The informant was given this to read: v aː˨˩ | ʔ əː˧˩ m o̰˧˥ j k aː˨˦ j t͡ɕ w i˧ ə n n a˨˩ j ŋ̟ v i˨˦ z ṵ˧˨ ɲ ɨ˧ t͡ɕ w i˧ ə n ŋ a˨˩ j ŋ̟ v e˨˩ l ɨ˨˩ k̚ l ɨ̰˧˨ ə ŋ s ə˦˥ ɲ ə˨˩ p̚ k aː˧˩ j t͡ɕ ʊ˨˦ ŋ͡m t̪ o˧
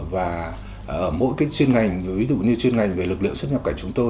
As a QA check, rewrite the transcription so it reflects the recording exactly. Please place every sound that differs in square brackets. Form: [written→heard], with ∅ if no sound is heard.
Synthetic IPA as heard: v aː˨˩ | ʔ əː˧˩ m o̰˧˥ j k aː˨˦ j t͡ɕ w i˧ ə n [n→ŋ] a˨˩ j ŋ̟ v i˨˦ z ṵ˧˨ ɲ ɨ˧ t͡ɕ w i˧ ə n ŋ a˨˩ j ŋ̟ v e˨˩ l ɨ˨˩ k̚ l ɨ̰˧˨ ə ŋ s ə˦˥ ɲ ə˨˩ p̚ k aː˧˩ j t͡ɕ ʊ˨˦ ŋ͡m t̪ o˧